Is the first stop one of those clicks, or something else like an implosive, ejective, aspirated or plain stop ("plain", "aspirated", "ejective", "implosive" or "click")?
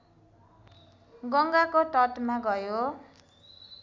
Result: plain